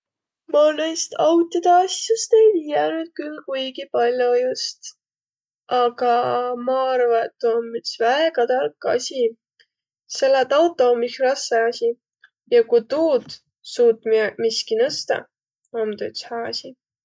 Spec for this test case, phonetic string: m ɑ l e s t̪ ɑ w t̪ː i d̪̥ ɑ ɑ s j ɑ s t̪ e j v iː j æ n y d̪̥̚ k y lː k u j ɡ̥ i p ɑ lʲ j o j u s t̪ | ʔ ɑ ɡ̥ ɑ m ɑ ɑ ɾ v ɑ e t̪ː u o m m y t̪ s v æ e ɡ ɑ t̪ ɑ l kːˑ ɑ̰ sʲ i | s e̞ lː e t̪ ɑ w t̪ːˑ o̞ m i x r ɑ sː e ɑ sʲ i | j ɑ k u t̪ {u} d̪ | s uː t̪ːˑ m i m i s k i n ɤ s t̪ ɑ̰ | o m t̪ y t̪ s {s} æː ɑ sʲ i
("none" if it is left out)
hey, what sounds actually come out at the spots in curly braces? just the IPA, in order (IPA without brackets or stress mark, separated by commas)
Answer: uː, h